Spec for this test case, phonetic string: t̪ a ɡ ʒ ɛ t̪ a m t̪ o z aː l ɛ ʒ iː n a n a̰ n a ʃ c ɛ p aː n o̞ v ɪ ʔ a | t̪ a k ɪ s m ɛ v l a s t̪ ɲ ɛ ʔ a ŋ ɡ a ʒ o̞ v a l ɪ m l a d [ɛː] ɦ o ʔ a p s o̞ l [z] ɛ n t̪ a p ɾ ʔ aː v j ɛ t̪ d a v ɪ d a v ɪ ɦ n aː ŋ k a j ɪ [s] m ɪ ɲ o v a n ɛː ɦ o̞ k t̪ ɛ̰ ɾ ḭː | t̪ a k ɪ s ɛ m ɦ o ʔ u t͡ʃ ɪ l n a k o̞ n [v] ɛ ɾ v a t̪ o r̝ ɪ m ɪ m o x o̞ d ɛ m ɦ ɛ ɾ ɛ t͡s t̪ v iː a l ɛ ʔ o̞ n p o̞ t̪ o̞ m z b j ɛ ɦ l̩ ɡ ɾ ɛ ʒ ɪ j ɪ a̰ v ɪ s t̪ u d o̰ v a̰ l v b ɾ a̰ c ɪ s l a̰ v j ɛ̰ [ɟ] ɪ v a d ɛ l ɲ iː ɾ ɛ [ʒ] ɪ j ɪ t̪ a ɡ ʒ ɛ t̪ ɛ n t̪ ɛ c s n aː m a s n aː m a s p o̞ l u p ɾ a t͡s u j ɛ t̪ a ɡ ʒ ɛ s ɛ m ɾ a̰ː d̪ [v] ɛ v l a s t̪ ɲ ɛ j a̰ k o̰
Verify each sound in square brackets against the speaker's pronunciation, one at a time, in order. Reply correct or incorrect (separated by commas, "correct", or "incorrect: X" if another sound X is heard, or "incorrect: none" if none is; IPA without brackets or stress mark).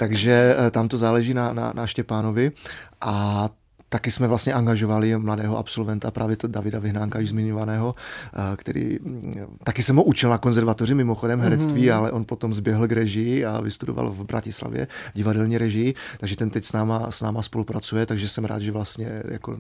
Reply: correct, incorrect: v, incorrect: z, incorrect: z, correct, correct, incorrect: ʒ